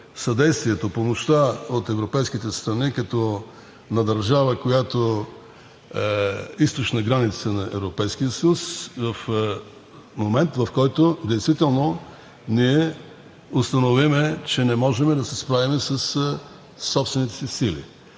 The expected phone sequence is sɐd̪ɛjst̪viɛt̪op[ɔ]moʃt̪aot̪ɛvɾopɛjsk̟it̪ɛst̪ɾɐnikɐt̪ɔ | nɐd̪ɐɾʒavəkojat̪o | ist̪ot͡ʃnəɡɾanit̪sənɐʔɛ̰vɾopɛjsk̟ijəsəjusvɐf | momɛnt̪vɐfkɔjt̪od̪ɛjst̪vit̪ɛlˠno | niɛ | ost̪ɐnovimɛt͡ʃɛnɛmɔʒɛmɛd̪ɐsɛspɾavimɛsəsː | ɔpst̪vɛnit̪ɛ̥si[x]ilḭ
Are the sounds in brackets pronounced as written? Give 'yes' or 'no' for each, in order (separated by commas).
no, no